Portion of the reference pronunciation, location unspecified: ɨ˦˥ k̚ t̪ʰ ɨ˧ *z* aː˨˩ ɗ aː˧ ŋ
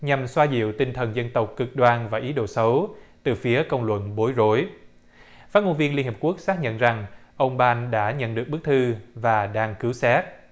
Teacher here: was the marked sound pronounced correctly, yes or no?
no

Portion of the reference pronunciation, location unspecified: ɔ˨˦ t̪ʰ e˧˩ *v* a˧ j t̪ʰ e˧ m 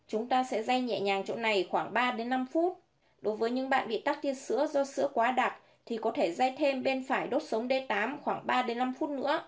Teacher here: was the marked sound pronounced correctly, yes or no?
no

